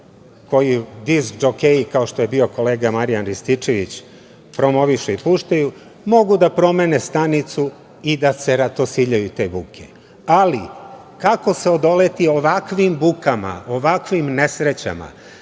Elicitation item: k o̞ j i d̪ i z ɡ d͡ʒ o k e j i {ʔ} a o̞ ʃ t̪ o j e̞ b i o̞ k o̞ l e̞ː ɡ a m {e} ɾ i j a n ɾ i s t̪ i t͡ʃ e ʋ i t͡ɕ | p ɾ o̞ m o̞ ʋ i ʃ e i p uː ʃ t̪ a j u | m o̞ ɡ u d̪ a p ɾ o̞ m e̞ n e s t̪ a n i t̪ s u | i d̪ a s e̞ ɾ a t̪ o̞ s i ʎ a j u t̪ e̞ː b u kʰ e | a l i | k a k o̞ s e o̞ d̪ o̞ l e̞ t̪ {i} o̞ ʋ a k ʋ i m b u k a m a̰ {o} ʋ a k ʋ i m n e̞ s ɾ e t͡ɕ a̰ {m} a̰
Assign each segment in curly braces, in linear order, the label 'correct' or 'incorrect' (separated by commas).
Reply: incorrect, incorrect, correct, correct, correct